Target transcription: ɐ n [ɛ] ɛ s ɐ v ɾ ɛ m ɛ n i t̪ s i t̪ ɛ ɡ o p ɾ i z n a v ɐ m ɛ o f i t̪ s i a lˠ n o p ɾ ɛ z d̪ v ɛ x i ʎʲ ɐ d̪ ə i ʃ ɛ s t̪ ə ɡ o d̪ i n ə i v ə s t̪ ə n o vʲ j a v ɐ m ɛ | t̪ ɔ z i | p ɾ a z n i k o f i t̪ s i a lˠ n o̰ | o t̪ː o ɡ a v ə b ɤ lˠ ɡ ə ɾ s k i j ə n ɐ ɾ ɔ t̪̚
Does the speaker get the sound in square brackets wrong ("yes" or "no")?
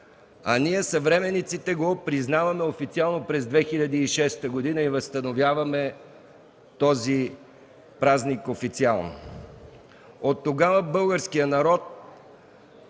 yes